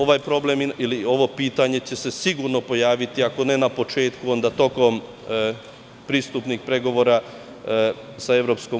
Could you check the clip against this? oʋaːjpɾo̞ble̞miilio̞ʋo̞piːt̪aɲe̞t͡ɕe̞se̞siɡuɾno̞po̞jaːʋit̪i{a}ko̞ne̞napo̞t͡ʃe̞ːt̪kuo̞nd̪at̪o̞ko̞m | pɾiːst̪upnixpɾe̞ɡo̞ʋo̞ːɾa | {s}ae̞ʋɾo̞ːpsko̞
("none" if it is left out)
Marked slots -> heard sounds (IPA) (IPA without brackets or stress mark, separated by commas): a, s